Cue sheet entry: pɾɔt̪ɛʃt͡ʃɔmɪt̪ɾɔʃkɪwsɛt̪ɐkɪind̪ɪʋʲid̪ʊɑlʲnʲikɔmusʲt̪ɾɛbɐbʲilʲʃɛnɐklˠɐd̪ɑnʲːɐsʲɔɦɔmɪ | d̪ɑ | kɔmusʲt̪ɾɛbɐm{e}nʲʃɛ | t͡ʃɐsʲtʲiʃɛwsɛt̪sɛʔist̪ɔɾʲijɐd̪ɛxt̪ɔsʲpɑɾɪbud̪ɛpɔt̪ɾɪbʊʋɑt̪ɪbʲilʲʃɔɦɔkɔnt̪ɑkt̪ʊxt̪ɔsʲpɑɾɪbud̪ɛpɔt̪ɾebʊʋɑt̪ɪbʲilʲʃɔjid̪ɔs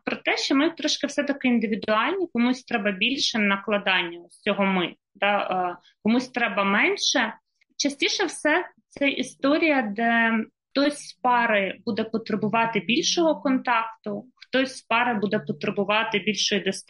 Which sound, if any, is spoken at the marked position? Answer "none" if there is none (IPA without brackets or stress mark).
ɛ